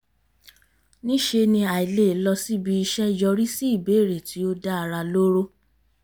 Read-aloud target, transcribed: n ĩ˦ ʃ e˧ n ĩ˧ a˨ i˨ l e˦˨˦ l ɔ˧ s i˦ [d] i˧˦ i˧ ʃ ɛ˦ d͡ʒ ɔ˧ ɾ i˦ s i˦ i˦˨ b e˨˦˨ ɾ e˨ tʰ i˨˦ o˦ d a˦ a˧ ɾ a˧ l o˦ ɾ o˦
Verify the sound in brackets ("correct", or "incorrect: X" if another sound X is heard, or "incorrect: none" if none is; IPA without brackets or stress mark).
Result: incorrect: b